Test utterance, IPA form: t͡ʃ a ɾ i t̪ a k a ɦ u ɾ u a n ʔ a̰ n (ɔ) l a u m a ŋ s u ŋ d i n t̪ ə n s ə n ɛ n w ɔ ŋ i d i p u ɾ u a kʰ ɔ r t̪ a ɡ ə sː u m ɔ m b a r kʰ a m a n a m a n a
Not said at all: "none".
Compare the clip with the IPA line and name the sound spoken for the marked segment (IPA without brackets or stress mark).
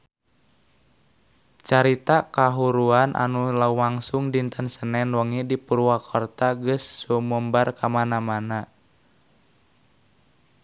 u